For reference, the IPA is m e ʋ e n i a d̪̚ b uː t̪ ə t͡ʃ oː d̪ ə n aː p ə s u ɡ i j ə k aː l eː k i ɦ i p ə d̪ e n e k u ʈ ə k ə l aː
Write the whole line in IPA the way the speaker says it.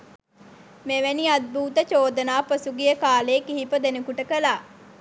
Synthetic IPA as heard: m e ʋ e n i a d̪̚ b uː t̪ ə t͡ʃ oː d̪ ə n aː p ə s u ɡ i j ə k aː l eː k i ɦ i p ə d̪ e n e k u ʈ ə k ə l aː